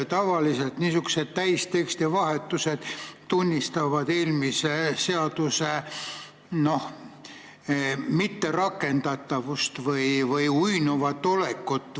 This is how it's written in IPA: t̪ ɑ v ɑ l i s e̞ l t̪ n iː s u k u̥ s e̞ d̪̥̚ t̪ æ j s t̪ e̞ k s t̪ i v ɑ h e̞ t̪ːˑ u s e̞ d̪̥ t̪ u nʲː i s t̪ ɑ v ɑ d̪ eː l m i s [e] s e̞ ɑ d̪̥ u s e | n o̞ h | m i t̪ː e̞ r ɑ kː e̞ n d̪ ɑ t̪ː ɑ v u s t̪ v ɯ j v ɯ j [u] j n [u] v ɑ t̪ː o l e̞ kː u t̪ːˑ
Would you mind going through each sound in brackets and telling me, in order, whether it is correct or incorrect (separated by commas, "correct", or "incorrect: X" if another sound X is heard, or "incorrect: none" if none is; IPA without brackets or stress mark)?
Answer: correct, correct, correct